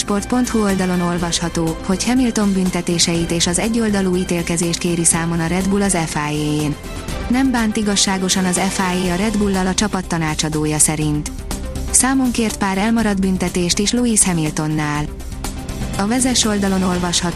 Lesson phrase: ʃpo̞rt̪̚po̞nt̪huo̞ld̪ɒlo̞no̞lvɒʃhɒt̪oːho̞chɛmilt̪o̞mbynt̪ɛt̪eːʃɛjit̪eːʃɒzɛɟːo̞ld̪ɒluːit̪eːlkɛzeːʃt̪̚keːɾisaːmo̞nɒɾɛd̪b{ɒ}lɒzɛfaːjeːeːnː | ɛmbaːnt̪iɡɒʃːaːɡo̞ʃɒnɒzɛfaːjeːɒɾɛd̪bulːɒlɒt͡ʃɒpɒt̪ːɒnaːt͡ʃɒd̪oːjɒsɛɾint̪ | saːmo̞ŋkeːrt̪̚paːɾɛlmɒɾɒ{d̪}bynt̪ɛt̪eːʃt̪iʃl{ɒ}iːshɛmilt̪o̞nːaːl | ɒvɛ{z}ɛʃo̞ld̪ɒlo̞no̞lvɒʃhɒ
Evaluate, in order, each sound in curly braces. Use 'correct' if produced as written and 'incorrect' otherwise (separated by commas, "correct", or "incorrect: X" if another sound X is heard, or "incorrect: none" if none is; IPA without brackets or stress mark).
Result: incorrect: u, correct, incorrect: u, correct